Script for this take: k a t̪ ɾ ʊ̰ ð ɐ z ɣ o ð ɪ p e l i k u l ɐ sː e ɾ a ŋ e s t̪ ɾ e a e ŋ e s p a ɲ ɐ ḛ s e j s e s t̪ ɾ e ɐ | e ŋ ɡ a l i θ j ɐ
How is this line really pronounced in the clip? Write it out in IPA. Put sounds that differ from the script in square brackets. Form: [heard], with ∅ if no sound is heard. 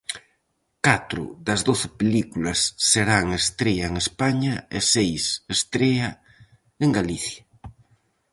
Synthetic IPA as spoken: k a t̪ ɾ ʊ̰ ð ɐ z [ð] o [θ] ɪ p e l i k u l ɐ sː e ɾ a ŋ e s t̪ ɾ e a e ŋ e s p a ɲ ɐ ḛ s e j s e s t̪ ɾ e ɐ | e ŋ ɡ a l i θ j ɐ